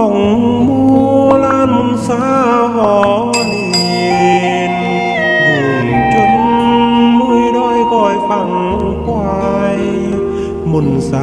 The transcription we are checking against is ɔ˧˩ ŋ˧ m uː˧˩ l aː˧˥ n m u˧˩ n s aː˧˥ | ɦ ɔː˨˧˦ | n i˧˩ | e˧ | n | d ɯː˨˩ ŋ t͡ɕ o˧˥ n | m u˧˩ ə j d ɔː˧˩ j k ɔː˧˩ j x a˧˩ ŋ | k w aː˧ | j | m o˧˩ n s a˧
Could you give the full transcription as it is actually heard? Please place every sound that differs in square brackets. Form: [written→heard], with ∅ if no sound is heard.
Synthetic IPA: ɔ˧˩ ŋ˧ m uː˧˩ l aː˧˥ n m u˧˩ n s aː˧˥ | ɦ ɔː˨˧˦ | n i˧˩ | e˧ | n | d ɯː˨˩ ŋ t͡ɕ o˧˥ n | m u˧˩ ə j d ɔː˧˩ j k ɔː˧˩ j [x→f] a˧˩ ŋ | k w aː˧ | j | m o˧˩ n s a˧